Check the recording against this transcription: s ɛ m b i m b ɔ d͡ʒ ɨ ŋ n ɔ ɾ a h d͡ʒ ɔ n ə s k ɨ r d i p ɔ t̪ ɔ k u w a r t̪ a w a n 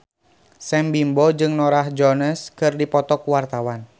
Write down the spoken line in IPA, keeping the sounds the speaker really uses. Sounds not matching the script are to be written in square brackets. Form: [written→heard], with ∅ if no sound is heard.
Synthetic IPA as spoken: s ɛ m b i m b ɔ d͡ʒ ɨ ŋ n ɔ ɾ a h d͡ʒ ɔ n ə s k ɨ r d i p ɔ t̪ ɔ k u w a r t̪ a w a n